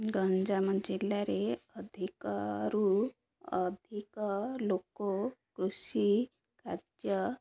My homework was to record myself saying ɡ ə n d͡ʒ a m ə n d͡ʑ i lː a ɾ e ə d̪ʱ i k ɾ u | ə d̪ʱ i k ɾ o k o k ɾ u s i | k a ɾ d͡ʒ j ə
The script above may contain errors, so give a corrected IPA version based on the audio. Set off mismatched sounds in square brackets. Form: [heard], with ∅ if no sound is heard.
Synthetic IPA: ɡ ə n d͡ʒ a m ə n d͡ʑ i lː a ɾ e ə d̪ʱ i k ɾ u | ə d̪ʱ i k [l] o k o k ɾ u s i | k a ɾ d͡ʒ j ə

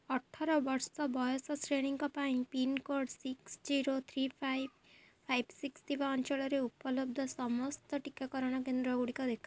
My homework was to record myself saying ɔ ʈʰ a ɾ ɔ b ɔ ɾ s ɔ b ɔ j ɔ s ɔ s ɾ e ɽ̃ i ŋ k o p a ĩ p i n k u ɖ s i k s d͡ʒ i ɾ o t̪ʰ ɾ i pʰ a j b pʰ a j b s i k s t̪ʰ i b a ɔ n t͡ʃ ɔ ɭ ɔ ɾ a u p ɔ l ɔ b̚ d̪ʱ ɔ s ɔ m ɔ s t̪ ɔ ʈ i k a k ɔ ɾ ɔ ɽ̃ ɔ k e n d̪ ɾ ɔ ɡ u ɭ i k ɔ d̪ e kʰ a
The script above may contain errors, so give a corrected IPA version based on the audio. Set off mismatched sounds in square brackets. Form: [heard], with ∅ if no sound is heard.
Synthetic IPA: ɔ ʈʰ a ɾ ɔ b ɔ ɾ s ɔ b ɔ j ɔ s ɔ s ɾ e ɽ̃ i ŋ k [ɔ] p a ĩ p i n k [o] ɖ s i k s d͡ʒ i ɾ o t̪ʰ ɾ i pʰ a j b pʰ a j b s i k s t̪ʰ i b a ɔ n t͡ʃ ɔ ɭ ɔ ɾ [e] u p ɔ l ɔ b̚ d̪ʱ ɔ s ɔ m ɔ s t̪ ɔ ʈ i k a k ɔ ɾ ɔ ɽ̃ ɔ k e n d̪ ɾ ɔ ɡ u [ɽ] i k ɔ d̪ e kʰ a

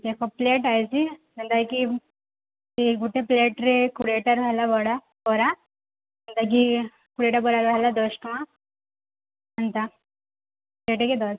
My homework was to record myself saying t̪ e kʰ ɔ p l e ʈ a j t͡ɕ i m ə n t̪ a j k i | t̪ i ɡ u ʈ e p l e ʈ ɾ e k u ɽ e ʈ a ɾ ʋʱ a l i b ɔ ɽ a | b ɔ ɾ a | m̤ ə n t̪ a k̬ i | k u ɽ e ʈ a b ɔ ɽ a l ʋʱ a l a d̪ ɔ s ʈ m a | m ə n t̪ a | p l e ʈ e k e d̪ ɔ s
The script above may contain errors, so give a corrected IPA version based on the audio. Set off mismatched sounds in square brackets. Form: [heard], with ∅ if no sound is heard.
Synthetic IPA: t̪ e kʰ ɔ p l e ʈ a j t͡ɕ i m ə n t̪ a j k i | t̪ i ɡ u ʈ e p l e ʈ ɾ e k u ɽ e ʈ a ɾ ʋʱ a l [a] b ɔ ɽ a | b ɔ ɾ a | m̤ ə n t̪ a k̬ i | k u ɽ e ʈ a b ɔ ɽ a [ɾ] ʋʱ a l a d̪ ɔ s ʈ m a | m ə n t̪ a | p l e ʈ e k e d̪ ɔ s

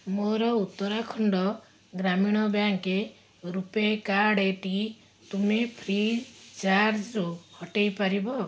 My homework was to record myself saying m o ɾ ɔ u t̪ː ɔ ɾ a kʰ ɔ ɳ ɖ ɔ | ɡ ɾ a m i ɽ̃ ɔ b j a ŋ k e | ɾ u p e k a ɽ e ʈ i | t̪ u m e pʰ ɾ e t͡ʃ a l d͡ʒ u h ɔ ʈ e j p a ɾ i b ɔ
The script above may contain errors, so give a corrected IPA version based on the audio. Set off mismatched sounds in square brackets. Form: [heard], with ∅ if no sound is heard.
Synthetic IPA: m o ɾ ɔ u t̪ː ɔ ɾ a kʰ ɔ ɳ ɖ ɔ | ɡ ɾ a m i ɽ̃ ɔ b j a ŋ k e | ɾ u p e k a ɽ e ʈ i | t̪ u m e pʰ ɾ [i] t͡ʃ a [ɾ] d͡ʒ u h ɔ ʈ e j p a ɾ i b ɔ

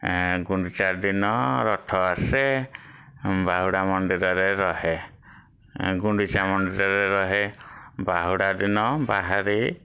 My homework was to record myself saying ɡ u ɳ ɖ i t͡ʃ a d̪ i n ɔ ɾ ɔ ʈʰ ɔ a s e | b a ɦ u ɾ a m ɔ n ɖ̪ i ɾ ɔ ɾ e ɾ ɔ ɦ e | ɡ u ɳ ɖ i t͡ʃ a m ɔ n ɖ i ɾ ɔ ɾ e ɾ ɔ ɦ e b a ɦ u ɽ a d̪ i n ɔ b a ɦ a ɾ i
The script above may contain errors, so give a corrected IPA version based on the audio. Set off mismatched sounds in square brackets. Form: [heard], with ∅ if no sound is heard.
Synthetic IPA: ɡ u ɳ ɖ i t͡ʃ a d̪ i n ɔ ɾ ɔ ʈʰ ɔ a s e | b a ɦ u [ɽ] a m ɔ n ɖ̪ i ɾ ɔ ɾ e ɾ ɔ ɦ e | ɡ u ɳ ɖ i t͡ʃ a m ɔ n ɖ i ɾ ɔ ɾ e ɾ ɔ ɦ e b a ɦ u ɽ a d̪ i n ɔ b a ɦ a ɾ i

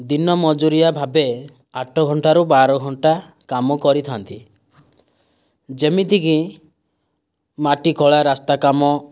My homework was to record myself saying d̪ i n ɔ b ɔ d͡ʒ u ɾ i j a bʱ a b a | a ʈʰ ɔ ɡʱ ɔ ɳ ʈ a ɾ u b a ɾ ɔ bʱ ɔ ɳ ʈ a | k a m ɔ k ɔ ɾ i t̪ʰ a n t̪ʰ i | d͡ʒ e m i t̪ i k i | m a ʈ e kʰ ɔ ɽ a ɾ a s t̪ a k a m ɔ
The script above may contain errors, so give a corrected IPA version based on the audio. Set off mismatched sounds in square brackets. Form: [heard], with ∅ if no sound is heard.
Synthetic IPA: d̪ i n ɔ [m] ɔ d͡ʒ u ɾ i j a bʱ a b [e] | a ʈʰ ɔ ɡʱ ɔ ɳ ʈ a ɾ u b a ɾ ɔ [ɡʱ] ɔ ɳ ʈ a | k a m ɔ k ɔ ɾ i t̪ʰ a n [t̪] i | d͡ʒ e m i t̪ i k i | m a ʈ [i] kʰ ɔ [ɭ] a ɾ a s t̪ a k a m ɔ

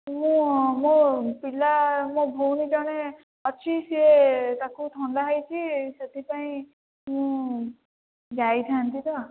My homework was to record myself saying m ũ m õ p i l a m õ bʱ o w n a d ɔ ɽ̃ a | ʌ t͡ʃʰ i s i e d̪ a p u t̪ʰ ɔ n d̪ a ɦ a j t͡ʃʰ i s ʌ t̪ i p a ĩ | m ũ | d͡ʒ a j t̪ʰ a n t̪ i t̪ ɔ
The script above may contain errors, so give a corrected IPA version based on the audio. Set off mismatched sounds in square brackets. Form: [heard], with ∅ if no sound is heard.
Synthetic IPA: m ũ m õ p i l a m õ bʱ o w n [i] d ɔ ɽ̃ [e] | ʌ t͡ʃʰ i s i e [t̪] a [k] u t̪ʰ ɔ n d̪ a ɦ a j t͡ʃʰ i s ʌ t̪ i p a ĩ | m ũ | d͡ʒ a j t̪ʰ a n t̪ i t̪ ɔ

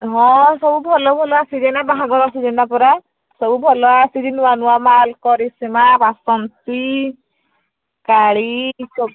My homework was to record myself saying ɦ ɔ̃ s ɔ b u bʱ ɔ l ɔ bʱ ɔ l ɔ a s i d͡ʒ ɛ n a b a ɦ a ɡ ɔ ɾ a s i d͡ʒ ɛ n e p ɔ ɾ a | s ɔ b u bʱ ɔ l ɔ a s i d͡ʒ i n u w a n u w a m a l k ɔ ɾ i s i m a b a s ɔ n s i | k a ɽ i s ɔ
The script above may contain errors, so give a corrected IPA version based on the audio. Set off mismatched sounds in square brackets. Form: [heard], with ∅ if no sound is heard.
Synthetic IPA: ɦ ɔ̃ s ɔ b u bʱ ɔ l ɔ bʱ ɔ l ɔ a s i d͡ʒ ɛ n a b a ɦ a ɡ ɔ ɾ a s i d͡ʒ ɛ n [a] p ɔ ɾ a | s ɔ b u bʱ ɔ l ɔ a s i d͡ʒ i n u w a n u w a m a l k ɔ ɾ i s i m a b a s ɔ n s i | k a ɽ i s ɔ

